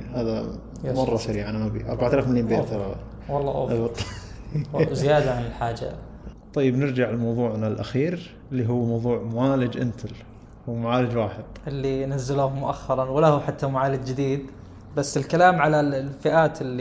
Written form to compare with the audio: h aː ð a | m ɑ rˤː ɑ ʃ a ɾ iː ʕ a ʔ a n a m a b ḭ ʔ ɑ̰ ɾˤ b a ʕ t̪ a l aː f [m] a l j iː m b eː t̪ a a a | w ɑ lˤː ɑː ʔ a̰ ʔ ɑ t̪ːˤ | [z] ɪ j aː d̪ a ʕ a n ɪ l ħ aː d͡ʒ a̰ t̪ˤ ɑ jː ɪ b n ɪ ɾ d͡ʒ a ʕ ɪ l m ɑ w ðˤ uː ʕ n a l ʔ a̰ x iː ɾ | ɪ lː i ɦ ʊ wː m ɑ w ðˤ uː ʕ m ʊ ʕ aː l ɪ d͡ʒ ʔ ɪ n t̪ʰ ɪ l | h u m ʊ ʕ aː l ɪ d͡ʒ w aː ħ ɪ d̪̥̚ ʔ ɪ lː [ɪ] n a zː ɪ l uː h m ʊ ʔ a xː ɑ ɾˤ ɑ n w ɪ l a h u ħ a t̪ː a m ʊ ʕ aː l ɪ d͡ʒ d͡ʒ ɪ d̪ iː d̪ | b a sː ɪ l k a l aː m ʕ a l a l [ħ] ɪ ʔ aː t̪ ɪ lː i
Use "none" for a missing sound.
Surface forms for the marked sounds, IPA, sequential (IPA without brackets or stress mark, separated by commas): m, z, i, f